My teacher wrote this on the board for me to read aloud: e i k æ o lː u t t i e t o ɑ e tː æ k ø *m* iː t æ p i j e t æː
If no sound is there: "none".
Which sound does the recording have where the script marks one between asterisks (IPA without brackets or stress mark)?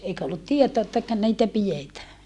n